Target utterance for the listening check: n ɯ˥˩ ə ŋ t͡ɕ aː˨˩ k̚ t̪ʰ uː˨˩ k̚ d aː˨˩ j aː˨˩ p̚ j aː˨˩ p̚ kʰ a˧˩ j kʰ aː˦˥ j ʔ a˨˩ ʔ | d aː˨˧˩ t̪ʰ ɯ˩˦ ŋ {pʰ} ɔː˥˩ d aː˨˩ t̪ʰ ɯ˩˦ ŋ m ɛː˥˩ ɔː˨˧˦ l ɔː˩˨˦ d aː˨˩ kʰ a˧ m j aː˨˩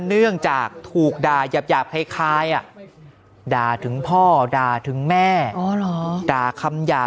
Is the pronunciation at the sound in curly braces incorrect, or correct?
correct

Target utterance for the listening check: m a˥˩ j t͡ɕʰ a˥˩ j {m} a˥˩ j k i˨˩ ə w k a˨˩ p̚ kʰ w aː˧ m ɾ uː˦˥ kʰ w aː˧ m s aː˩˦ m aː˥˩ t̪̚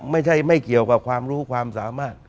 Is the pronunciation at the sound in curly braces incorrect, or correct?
correct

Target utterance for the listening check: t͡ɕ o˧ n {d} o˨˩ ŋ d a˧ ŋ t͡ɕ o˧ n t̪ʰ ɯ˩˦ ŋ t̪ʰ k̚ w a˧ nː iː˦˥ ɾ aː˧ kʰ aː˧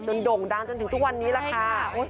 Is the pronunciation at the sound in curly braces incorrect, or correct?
correct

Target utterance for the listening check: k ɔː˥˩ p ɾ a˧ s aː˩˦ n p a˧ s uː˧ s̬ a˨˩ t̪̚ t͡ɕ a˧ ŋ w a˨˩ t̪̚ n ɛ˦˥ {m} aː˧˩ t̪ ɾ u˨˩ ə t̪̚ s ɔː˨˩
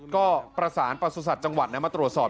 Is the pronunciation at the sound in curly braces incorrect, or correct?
correct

